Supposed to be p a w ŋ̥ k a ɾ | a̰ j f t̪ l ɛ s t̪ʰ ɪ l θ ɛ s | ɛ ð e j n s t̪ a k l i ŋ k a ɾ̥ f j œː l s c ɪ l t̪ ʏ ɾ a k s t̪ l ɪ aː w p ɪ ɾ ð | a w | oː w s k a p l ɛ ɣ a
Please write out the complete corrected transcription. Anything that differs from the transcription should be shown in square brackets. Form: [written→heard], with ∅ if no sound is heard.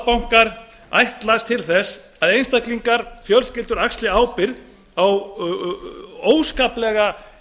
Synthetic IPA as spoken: p a w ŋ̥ k a ɾ | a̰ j [f→h] t̪ l [ɛ→a] s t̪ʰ ɪ l θ ɛ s | [ɛ→a] ð e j n s t̪ a k l i ŋ k a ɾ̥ f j [œː→œ] l s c ɪ l t̪ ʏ ɾ a k s t̪ l ɪ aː w p ɪ ɾ ð | a w | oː w s k a p l ɛ ɣ a

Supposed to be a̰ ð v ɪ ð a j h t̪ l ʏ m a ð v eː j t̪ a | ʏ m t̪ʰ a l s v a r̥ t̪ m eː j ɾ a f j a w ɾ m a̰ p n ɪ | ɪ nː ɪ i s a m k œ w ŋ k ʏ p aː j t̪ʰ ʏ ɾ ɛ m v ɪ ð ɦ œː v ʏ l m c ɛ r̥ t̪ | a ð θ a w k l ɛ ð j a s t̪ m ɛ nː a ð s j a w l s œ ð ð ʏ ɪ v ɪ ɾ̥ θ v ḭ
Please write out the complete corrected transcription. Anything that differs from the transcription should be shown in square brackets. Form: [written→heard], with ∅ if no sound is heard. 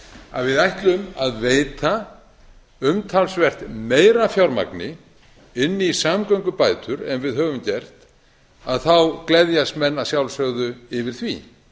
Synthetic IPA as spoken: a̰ ð v ɪ ð a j h t̪ l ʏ m a ð v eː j t̪ a | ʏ m t̪ʰ a l s v [a→ɛ] r̥ t̪ m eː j ɾ a f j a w ɾ m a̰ [p→k] n ɪ | ɪ nː ɪ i s a m k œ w ŋ k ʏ p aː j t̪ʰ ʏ ɾ ɛ m v ɪ ð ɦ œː v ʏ [l→∅] m c ɛ r̥ t̪ | a ð θ a w k l ɛ ð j a s t̪ m ɛ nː a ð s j a w l s œ [ð→ɣ] ð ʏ ɪ v ɪ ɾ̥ θ v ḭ

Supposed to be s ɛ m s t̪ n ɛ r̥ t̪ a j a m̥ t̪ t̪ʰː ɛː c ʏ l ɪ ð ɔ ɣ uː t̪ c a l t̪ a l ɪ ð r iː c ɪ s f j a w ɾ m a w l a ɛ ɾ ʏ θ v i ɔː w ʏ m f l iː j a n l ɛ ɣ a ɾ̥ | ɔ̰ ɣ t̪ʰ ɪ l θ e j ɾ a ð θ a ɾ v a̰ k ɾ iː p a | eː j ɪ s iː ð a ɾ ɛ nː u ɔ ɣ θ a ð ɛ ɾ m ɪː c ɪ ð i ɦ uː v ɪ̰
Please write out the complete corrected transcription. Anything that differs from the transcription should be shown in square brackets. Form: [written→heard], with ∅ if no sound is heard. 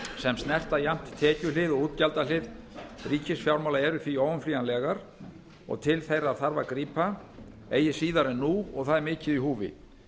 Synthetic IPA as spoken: s ɛ m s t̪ n ɛ r̥ t̪ a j a m̥ t̪ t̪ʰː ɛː c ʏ l ɪ ð ɔ ɣ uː t̪ c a l t̪ a l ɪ ð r iː c ɪ s f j a w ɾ m a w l a ɛ ɾ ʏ θ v i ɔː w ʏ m f l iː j a n l ɛ ɣ a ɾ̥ | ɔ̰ ɣ t̪ʰ ɪ l θ e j ɾ a ð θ a ɾ v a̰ k ɾ iː p a | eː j ɪ s iː ð a ɾ ɛ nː u ɔ ɣ θ a ð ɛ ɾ m ɪː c ɪ ð i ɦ uː v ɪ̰

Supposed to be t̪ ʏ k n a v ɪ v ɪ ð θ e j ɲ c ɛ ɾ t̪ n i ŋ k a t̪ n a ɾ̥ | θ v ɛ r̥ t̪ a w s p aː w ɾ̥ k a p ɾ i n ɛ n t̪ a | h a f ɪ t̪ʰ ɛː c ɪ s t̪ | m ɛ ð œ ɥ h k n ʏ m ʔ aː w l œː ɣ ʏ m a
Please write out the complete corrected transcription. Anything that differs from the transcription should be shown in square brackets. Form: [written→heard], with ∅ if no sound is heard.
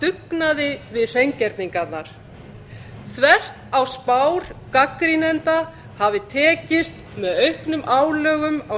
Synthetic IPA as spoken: t̪ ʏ k n a [v→ð] ɪ v ɪ ð θ e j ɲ c ɛ ɾ t̪ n i ŋ k a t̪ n a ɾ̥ | θ v ɛ r̥ t̪ a w s p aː w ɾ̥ k a [p→k] ɾ i n ɛ n t̪ a | h a [f→v] ɪ t̪ʰ ɛː c ɪ s t̪ | m ɛ ð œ ɥ h k n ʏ m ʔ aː w l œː ɣ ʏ m a

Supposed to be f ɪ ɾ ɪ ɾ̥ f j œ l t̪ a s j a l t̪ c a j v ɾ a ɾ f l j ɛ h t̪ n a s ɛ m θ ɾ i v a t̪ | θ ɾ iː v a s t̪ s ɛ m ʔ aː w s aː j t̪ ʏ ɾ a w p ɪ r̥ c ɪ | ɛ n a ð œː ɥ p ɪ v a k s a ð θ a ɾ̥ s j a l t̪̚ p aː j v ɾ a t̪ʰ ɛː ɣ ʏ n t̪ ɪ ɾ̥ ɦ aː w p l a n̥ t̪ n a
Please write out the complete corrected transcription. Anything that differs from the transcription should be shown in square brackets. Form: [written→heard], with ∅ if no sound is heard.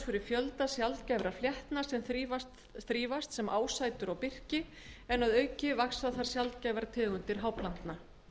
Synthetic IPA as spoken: f ɪ ɾ ɪ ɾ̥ f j œ l t̪ a s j a l t̪ c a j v ɾ a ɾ f l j ɛ h t̪ n a s ɛ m θ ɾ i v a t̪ | θ ɾ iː v a s t̪ s ɛ m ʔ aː w s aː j t̪ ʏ ɾ a w p ɪ r̥ c ɪ | ɛ n a ð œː ɥ [p→c] ɪ v a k s a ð θ a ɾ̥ s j a l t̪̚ [p→c] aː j v ɾ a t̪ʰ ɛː ɣ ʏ n t̪ ɪ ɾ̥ ɦ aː w p l a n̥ t̪ n a

